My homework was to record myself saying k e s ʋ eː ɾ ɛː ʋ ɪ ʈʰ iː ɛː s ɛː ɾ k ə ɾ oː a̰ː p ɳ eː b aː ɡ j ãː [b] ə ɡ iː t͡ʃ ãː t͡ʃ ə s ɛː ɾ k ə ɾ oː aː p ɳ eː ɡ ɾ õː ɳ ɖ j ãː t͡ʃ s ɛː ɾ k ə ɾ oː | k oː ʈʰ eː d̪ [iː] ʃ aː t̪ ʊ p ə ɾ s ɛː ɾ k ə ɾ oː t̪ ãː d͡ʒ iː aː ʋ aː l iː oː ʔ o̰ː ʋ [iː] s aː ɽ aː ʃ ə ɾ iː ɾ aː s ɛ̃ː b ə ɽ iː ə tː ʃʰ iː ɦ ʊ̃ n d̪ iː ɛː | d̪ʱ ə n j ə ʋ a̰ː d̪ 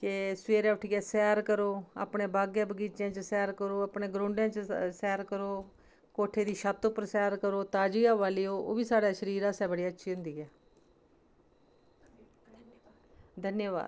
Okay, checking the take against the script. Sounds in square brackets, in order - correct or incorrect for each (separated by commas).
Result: correct, correct, correct